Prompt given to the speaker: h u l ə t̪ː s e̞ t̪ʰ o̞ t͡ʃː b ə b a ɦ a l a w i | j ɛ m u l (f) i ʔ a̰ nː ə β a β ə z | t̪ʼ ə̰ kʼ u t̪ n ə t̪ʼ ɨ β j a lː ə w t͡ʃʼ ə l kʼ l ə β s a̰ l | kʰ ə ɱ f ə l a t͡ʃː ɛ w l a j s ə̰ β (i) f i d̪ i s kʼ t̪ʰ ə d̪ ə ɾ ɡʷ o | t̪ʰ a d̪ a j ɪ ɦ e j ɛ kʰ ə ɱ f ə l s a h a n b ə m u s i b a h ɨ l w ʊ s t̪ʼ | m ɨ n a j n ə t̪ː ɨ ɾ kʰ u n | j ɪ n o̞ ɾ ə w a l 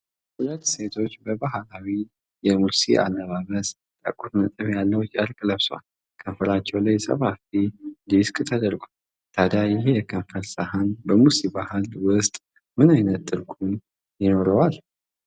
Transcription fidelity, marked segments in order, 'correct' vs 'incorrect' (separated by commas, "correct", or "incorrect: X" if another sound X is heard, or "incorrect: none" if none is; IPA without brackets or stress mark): incorrect: s, incorrect: a